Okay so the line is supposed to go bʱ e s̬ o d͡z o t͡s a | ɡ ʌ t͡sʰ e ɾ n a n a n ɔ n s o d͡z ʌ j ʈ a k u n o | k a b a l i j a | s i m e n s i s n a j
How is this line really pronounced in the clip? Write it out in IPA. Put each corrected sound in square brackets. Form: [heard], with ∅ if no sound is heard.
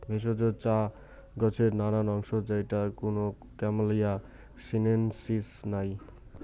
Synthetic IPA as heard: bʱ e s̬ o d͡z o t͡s a | ɡ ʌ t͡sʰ e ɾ n a n a n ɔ [ŋ] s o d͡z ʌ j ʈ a k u n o | k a [m] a l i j a | s i [n] e n s i s n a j